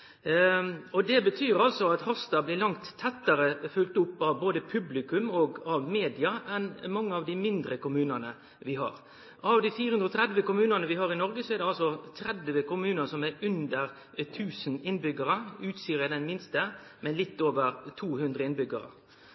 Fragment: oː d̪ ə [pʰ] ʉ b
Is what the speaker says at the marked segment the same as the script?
yes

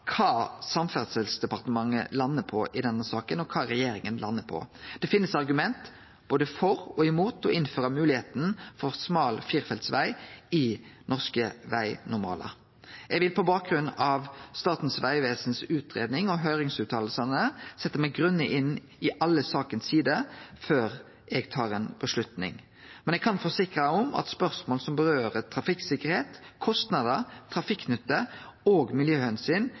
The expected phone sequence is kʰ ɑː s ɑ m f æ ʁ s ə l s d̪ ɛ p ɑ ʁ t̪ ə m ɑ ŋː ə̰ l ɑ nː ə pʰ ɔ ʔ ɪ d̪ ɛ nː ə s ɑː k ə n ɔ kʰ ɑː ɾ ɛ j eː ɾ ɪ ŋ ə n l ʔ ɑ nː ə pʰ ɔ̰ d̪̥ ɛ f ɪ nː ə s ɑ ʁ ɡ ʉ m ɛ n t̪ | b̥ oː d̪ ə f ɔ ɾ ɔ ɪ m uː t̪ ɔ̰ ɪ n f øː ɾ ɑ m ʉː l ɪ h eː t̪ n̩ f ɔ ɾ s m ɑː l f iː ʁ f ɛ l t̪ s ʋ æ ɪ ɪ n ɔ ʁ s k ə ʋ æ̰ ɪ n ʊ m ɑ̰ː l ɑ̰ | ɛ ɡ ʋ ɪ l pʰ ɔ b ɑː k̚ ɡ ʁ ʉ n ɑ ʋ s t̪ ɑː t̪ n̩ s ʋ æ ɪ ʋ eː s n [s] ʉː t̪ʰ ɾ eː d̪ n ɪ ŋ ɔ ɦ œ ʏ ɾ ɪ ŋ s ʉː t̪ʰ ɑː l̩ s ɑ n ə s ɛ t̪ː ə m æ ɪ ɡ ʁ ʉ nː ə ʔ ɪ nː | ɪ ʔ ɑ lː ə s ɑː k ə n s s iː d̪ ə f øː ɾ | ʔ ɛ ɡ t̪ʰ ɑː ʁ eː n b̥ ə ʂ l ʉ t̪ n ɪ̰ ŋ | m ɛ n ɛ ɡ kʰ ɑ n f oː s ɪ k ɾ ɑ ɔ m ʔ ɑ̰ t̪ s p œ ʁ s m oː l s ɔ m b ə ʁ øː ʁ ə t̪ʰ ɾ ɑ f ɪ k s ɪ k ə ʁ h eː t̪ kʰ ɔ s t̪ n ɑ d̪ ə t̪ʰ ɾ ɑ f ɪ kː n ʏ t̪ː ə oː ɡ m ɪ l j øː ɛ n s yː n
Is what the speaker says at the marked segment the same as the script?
yes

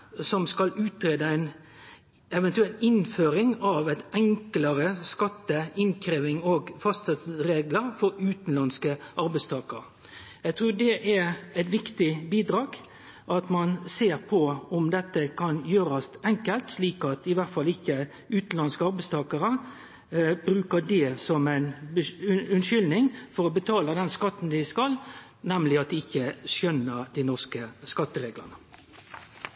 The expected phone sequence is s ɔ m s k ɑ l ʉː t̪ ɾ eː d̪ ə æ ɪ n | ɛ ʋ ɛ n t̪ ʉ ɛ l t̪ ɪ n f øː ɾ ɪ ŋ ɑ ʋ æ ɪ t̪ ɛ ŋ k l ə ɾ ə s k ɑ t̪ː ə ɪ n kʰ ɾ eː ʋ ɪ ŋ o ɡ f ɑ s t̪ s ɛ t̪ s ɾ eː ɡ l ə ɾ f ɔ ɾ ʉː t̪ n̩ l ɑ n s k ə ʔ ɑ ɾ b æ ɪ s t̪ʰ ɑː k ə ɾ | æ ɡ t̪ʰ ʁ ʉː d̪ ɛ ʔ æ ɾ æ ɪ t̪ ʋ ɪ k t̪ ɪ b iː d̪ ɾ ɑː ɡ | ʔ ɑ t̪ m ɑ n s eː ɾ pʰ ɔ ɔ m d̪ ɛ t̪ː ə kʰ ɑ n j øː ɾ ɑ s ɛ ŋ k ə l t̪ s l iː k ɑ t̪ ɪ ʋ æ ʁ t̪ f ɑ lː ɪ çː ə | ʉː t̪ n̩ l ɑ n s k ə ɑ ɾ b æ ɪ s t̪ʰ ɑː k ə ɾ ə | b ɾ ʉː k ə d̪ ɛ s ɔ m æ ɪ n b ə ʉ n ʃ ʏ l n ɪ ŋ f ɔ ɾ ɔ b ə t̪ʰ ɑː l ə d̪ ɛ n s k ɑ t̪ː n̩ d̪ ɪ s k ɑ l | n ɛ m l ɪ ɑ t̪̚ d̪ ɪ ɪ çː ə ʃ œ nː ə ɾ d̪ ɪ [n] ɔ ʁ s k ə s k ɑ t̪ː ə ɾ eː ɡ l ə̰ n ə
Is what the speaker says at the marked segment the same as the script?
yes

